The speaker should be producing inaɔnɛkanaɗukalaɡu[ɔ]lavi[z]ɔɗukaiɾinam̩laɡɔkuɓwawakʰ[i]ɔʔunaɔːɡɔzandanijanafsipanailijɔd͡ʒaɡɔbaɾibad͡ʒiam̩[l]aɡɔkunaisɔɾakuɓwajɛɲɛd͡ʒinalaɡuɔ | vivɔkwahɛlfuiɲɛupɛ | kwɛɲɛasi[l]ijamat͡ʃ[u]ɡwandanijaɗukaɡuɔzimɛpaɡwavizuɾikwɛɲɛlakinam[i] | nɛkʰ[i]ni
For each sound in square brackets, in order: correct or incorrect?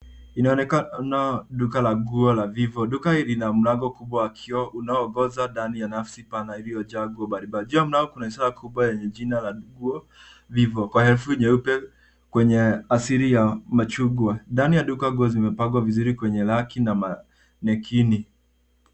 correct, incorrect, correct, correct, incorrect, correct, incorrect, correct

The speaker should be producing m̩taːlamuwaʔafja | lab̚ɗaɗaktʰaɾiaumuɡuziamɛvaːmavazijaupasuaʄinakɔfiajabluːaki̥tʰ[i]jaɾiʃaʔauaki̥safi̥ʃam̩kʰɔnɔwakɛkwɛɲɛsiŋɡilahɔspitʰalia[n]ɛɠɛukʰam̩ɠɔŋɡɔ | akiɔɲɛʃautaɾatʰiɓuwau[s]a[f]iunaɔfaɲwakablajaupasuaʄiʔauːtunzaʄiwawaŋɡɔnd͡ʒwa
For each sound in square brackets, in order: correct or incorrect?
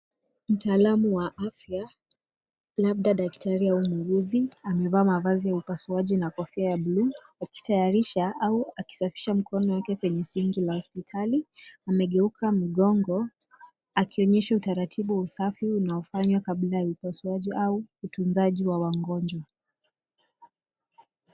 incorrect, incorrect, correct, correct

